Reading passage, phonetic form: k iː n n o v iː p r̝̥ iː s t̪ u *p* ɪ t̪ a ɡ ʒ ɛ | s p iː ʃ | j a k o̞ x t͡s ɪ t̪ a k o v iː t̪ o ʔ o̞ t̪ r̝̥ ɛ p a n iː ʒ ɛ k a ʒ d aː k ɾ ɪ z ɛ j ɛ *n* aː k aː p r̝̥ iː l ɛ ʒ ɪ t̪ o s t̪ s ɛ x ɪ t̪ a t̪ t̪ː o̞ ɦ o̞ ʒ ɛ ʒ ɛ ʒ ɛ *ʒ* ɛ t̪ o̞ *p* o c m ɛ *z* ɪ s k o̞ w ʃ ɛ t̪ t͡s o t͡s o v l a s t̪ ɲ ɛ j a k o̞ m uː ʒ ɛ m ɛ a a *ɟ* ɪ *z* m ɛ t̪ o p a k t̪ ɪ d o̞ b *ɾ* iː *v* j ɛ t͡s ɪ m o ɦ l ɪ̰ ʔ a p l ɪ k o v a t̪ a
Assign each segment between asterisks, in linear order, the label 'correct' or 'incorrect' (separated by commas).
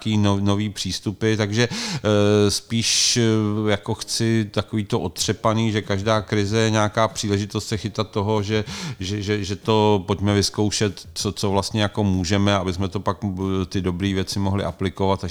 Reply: correct, incorrect, correct, correct, incorrect, incorrect, incorrect, correct, correct